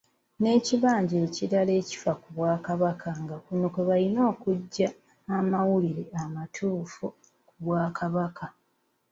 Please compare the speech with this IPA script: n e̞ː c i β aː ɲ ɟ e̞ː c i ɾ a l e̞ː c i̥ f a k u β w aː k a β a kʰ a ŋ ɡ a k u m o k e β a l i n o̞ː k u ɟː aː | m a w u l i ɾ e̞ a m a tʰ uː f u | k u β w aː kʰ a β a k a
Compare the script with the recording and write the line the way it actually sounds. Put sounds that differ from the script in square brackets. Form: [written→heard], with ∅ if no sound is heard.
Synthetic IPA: n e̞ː c i β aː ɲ ɟ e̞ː c i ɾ a l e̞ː c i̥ f a k u β w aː k a β a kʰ a ŋ ɡ a k u [m→n] o k e β a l i n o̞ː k u ɟː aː | m a w u l i ɾ e̞ a m a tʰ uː f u | k u β w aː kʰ a β a k a